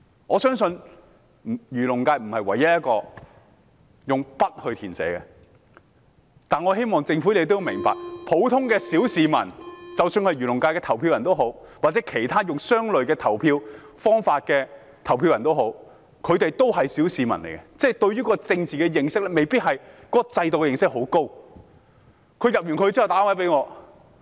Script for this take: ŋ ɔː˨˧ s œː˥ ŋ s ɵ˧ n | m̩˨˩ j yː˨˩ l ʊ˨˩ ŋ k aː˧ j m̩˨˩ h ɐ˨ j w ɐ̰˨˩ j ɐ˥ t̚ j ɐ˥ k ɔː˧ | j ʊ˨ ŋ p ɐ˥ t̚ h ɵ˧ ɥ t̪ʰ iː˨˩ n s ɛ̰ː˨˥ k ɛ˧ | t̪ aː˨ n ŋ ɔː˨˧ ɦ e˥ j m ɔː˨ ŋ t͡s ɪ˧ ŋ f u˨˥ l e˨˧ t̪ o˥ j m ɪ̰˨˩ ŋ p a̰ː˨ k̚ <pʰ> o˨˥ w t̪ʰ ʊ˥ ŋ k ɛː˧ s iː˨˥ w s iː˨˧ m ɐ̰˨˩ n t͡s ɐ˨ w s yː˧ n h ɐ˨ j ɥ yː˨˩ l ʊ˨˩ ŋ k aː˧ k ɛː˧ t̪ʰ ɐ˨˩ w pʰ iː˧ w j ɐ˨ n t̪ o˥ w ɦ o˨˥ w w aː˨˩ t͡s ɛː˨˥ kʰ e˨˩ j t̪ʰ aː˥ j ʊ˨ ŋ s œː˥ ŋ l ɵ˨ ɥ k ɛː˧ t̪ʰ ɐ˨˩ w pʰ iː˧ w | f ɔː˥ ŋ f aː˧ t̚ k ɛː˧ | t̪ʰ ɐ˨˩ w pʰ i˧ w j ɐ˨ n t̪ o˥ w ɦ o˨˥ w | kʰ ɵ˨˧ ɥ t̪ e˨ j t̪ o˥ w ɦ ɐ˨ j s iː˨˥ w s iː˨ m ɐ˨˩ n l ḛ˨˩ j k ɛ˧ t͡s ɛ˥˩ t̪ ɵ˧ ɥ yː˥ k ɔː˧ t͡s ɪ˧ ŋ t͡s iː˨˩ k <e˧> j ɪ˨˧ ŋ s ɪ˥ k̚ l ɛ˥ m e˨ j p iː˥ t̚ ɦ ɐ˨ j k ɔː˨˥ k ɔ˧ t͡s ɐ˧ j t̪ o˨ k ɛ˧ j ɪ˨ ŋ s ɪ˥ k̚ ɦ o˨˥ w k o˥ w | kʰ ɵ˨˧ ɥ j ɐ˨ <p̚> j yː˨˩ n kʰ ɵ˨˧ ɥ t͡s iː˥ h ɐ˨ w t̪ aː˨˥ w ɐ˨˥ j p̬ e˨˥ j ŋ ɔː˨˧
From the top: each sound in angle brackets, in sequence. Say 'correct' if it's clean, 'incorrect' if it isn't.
correct, incorrect: ɛ˧, correct

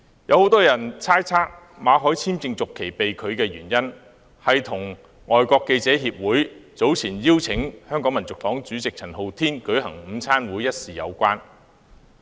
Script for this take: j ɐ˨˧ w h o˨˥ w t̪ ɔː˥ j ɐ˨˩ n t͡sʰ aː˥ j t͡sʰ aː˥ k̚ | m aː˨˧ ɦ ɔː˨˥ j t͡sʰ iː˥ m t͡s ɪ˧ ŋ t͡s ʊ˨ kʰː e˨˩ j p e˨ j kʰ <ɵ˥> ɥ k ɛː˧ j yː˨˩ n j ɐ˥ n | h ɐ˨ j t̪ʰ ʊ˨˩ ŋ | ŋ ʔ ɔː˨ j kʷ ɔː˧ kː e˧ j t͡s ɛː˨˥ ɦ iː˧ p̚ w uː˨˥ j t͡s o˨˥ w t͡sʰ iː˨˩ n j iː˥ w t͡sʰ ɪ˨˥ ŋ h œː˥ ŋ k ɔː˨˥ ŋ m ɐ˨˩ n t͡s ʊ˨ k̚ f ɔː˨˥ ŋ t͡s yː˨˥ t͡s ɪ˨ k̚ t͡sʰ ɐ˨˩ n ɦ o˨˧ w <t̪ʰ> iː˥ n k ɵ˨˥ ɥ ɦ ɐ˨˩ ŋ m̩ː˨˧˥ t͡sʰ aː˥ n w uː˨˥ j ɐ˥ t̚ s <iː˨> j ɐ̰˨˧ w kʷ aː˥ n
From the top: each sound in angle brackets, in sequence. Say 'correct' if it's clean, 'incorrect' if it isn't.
incorrect: ɵ˨˧, correct, correct

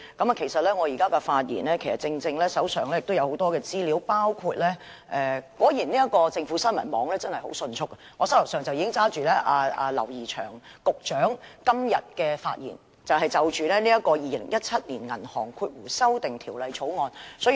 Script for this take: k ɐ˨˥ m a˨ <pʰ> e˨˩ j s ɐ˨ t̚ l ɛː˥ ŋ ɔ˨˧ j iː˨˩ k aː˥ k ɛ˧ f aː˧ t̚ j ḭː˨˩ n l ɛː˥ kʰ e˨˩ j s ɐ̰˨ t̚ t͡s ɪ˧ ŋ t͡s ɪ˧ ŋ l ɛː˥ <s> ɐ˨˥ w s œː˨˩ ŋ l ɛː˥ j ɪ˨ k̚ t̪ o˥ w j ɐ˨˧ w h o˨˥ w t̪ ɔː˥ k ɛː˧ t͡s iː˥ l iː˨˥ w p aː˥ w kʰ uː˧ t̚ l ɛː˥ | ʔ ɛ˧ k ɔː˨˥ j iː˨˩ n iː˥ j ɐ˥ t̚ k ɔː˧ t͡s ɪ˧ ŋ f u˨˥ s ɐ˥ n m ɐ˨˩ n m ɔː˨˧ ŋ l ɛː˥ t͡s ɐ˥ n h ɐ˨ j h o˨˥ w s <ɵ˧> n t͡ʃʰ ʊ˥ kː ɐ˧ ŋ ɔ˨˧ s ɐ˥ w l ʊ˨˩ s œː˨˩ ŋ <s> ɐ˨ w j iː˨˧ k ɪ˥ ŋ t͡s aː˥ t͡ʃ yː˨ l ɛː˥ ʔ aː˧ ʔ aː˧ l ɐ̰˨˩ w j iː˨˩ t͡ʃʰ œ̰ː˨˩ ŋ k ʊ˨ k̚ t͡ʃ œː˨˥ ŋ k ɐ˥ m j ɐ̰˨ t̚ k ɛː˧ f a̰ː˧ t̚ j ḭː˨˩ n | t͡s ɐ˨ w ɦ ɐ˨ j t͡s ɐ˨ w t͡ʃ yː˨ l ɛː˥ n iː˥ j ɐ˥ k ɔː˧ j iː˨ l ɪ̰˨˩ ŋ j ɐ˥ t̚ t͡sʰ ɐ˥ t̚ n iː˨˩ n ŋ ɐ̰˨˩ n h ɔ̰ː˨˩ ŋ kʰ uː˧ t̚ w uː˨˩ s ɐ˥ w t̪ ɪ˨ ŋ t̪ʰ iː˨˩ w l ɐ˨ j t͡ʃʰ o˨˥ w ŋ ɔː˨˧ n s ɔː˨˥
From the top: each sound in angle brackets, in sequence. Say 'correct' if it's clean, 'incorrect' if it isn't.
incorrect: kʰ, correct, correct, incorrect: t͡s

